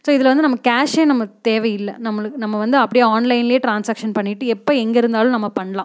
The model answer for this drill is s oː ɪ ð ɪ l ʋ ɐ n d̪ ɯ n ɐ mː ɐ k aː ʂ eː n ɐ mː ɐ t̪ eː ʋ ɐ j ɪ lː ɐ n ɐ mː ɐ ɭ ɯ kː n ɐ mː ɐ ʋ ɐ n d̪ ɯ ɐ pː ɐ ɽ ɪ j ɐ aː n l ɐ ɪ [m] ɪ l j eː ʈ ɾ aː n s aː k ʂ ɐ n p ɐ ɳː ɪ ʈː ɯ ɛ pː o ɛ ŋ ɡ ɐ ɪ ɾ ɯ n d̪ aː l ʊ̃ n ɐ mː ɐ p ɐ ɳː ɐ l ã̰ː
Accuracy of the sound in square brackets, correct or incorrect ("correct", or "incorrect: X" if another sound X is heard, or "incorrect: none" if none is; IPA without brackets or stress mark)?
incorrect: n